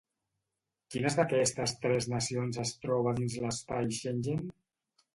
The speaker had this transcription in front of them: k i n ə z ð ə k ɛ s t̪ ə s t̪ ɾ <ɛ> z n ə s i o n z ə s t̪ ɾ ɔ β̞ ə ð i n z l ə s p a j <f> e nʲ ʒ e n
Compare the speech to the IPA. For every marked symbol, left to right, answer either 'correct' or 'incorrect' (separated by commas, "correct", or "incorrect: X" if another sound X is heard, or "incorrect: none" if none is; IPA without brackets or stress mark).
correct, incorrect: ʃ